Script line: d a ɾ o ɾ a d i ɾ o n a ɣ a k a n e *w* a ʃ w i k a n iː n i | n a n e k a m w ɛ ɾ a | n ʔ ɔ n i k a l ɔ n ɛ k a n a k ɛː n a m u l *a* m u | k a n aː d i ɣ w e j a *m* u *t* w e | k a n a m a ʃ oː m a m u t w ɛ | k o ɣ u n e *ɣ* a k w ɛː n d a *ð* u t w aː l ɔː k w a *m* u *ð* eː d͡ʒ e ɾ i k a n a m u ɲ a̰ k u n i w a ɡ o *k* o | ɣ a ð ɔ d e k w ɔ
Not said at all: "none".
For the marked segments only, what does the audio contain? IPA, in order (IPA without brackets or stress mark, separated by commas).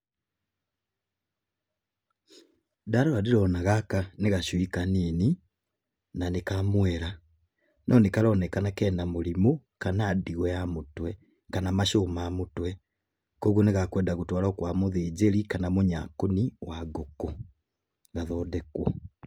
ɣ, i, m, t, ɣ, ɣ, m, ð, k